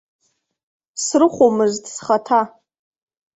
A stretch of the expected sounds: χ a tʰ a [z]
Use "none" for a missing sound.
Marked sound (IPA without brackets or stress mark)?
none